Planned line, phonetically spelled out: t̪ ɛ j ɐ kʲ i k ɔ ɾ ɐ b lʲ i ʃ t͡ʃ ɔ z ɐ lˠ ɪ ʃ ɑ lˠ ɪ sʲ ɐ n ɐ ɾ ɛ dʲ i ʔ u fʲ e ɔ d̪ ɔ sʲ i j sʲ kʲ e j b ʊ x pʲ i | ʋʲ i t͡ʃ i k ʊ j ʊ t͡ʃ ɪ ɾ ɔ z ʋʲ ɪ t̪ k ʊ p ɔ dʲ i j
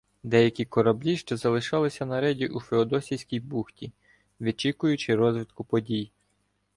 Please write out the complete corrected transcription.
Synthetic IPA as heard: d̪ ɛ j ɐ kʲ i k ɔ ɾ ɐ b lʲ i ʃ t͡ʃ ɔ z ɐ lˠ ɪ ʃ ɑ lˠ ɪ sʲ ɐ n ɐ ɾ ɛ dʲ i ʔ u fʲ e ɔ d̪ ɔ sʲ i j sʲ kʲ i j b u x tʲ i | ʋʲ i t͡ʃ i k ʊ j ʊ t͡ʃ ɪ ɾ ɔ z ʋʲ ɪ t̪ k ʊ p ɔ dʲ i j